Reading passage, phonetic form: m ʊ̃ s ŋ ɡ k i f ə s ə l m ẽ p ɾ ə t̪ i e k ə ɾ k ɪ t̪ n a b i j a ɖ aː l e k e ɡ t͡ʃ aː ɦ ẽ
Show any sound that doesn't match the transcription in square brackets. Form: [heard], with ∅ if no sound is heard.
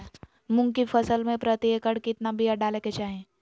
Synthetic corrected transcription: m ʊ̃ [∅] ŋ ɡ k i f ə s ə l m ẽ p ɾ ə t̪ i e k ə [ɽ] k ɪ t̪ n a b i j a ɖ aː l e k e [∅] t͡ʃ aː ɦ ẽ

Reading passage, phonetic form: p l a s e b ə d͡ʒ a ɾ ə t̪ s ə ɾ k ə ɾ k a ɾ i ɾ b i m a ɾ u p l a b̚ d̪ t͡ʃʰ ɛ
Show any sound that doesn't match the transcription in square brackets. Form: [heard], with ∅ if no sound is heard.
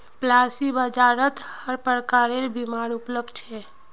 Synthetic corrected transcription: p l a s [i] b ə d͡ʒ a ɾ ə t̪ [h] ə ɾ [p] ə ɾ k a ɾ [e] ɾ b i m a ɾ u p l [ə] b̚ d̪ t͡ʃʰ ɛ

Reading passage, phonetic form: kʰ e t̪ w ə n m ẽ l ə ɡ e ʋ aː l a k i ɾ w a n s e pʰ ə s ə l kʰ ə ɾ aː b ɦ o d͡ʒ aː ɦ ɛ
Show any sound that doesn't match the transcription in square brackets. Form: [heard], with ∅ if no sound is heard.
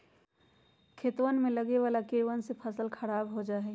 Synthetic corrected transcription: kʰ e t̪ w ə n m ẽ l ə ɡ e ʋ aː l a k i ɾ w [ə] n s e pʰ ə s ə l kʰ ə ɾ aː b ɦ o d͡ʒ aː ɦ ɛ

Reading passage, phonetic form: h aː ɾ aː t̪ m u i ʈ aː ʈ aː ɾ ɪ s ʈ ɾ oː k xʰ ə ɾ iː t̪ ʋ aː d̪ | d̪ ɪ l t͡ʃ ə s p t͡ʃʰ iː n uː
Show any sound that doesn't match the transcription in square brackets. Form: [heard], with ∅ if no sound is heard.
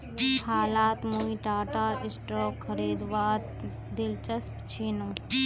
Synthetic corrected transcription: h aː [l] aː t̪ m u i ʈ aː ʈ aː ɾ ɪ s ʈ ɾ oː k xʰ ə ɾ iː [d̪] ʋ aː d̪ | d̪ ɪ l t͡ʃ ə s p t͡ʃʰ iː n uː

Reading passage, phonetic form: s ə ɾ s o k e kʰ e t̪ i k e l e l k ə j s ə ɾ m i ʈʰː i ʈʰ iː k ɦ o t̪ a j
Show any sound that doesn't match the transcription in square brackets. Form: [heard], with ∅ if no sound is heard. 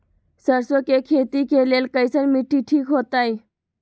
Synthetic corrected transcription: s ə ɾ s o k e kʰ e t̪ i k e l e l k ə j s ə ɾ m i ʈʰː i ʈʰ iː k ɦ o t̪ a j

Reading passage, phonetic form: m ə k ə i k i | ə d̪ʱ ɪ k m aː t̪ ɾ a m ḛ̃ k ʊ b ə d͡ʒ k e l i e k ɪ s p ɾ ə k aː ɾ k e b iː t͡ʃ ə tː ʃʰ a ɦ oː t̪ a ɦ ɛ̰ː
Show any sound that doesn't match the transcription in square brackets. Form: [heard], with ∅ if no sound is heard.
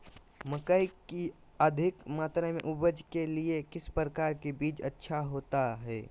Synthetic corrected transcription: m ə k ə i k i | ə d̪ʱ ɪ k m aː t̪ ɾ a m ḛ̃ [ʔ] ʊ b ə d͡ʒ k e l i e k ɪ s p ɾ ə k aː ɾ k e b iː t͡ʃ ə tː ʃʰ a ɦ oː t̪ a ɦ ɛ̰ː

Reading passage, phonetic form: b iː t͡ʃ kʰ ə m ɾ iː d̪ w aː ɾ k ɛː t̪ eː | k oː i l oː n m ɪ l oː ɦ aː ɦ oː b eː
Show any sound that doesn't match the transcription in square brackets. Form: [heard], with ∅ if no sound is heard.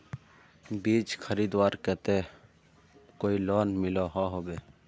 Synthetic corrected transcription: b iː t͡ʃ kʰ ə [∅] ɾ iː d̪ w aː ɾ k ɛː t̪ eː | k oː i l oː n m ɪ l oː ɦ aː ɦ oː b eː

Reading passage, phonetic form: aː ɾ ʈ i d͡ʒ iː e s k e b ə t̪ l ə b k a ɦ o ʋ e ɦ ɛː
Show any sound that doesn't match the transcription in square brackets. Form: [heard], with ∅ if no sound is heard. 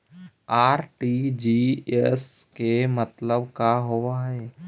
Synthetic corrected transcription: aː ɾ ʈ i d͡ʒ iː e s k e [m] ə t̪ l ə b k a ɦ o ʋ [a] ɦ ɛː

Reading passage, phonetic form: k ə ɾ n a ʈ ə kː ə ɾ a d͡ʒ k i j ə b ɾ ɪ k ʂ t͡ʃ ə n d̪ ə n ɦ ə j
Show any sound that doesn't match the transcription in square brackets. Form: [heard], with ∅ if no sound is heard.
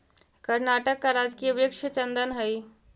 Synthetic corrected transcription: k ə ɾ n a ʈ ə kː [a] ɾ a d͡ʒ k i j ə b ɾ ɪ k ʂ t͡ʃ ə n d̪ ə n ɦ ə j

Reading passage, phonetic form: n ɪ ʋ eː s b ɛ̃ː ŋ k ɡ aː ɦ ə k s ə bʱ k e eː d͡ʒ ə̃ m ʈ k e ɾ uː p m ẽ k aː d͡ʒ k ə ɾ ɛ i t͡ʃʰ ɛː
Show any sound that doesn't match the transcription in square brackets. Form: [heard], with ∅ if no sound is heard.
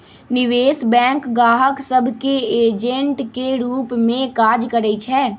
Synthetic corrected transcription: n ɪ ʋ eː s b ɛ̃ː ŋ k ɡ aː ɦ ə k s ə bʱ k e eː d͡ʒ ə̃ [ɳ] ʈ k e ɾ uː p m ẽ k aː d͡ʒ k ə ɾ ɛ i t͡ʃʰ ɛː

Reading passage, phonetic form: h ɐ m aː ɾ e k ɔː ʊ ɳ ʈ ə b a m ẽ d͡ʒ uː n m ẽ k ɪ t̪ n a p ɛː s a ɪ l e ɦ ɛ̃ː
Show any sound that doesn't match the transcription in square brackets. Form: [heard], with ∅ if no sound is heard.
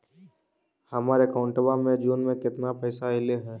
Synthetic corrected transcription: h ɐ m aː ɾ e k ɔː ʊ ɳ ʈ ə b a m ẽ d͡ʒ uː n m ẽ k ɪ t̪ n a p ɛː s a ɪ l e ɦ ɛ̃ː

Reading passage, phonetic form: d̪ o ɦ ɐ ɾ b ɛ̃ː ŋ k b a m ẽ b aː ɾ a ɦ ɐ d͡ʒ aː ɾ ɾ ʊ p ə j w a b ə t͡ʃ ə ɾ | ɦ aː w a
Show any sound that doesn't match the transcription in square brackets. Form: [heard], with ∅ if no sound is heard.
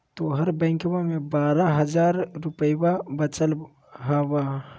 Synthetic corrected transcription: [t̪] o ɦ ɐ ɾ b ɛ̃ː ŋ k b a m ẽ b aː ɾ a ɦ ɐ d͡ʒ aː ɾ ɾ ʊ p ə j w a b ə t͡ʃ ə [l] | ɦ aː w a

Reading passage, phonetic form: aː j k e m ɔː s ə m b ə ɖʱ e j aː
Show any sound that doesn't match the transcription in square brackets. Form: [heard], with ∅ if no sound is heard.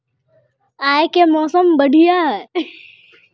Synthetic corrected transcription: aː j k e m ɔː s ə m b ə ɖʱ [i] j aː

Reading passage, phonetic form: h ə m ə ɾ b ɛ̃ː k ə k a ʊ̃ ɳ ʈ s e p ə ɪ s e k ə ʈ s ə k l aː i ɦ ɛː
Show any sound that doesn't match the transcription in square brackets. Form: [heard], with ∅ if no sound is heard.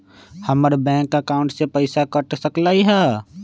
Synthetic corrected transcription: h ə m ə ɾ b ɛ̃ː k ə k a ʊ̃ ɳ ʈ s e p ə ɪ s [a] k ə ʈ s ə k l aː i ɦ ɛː

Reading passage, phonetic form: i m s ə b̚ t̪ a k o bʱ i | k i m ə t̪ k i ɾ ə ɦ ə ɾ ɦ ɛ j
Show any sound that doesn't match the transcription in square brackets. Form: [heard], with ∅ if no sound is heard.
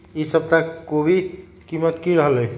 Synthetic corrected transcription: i [∅] s ə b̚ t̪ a k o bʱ i | k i m ə t̪ k i ɾ ə ɦ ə [l] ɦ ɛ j

